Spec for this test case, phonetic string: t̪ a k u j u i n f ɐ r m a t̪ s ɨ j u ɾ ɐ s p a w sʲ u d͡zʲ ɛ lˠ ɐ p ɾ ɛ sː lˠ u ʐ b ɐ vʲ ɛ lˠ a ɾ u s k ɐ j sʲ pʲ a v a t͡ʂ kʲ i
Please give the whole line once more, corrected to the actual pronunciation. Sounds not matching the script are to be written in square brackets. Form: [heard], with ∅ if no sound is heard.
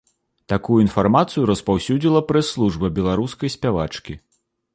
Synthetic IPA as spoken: t̪ a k u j u i n f [a] r m a t̪ s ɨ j u ɾ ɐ s p a w sʲ u d͡zʲ [i] lˠ ɐ p ɾ ɛ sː lˠ u ʐ b ɐ [bʲ] ɛ lˠ a ɾ u s k ɐ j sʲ pʲ a v a t͡ʂ kʲ i